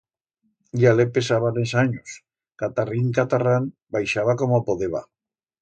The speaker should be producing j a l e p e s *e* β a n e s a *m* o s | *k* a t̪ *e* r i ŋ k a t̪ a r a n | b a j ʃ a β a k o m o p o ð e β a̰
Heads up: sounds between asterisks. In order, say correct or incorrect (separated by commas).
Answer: incorrect, incorrect, correct, incorrect